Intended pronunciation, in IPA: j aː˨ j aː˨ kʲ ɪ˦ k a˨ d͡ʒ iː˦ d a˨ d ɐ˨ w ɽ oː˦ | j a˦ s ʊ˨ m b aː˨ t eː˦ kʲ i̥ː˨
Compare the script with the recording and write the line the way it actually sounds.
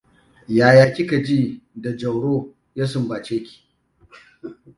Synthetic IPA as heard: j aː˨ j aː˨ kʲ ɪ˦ k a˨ d͡ʒ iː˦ d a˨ d͡ʒ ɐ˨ w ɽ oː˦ | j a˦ s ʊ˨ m b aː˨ t͡ʃ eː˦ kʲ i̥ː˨